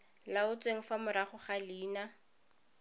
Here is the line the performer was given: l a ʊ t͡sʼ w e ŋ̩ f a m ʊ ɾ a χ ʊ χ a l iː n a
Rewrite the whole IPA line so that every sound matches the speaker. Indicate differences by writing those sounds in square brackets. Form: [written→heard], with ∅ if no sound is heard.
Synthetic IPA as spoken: l a ʊ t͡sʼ w e ŋ̩ f a m ʊ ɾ a χ ʊ χ a l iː n a